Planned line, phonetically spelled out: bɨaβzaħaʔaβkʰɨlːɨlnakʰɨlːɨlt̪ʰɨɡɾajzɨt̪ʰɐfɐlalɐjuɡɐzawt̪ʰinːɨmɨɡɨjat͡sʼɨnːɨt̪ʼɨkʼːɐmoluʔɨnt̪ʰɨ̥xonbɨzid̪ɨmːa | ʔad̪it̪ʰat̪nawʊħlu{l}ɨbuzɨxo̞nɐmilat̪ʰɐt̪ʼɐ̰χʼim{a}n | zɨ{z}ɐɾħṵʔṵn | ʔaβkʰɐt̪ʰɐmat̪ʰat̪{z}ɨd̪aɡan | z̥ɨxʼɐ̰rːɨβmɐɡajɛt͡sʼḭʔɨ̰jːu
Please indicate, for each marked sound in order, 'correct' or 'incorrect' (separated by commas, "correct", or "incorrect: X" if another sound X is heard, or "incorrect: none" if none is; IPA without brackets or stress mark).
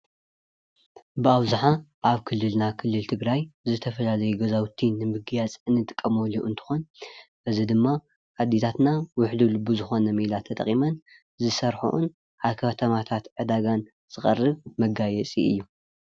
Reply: correct, incorrect: ɐ, incorrect: s, incorrect: ʕ